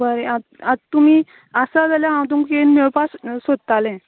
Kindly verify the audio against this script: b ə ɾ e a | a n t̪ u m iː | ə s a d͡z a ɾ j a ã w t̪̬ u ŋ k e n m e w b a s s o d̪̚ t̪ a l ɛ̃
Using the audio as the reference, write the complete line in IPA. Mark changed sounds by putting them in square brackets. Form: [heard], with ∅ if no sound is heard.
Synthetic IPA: b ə ɾ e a | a [∅] t̪ u m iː | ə s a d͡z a [l] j a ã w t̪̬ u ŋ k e n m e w [p] a s s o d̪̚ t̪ a l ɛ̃